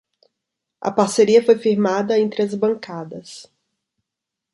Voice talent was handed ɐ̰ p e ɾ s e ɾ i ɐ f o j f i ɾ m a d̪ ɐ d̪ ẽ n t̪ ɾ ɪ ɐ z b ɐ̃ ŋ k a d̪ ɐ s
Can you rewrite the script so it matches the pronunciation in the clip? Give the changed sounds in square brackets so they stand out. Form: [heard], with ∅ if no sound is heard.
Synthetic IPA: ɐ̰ p [a] ɾ s e ɾ i ɐ f o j f i ɾ m a d̪ ɐ [∅] ẽ n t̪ ɾ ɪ ɐ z b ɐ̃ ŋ k a d̪ ɐ s